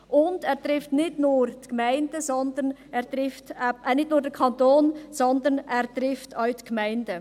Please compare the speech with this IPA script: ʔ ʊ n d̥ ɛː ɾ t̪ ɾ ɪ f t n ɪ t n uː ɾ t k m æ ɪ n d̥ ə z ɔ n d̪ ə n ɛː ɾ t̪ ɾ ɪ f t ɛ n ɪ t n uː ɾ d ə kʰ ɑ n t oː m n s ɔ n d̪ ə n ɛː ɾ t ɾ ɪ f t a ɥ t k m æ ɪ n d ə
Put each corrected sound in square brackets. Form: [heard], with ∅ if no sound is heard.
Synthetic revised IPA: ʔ ʊ n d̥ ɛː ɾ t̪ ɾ ɪ f t n ɪ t n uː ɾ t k m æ ɪ n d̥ ə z ɔ n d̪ ə n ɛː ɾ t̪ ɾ ɪ f t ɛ n ɪ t n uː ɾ d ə kʰ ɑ n t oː [∅] n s ɔ n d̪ ə n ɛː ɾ t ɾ ɪ f t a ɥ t k m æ ɪ n d ə